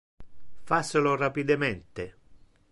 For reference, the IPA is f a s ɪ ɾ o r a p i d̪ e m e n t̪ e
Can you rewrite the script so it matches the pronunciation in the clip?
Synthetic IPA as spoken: f a s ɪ l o r a p i d̪ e m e n t̪ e